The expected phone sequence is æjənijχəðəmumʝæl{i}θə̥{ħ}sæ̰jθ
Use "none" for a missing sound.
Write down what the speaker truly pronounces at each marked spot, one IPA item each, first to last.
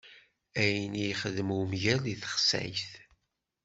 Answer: i, χ

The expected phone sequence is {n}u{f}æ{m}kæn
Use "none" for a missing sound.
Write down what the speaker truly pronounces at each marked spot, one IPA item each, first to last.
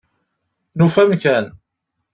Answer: n, f, m

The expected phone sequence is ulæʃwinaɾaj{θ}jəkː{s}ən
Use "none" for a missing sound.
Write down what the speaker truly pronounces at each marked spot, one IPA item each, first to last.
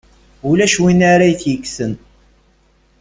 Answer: θ, s

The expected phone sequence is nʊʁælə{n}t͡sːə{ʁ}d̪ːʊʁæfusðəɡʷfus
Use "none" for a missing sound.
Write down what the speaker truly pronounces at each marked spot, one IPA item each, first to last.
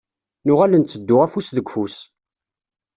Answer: n, none

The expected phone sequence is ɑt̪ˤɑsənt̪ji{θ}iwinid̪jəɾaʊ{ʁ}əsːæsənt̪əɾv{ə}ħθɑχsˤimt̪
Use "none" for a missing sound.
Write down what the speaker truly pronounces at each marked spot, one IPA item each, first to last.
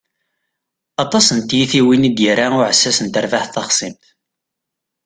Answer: θ, ʕ, a

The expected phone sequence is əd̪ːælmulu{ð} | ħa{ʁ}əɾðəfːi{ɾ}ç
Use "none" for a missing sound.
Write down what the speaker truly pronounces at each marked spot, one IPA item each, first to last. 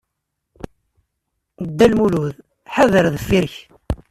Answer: ð, ð, ɾ

